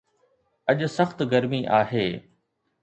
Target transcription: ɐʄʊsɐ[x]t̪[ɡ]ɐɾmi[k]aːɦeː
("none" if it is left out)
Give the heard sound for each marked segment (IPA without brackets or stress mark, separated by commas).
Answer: x, ɡ, ʔ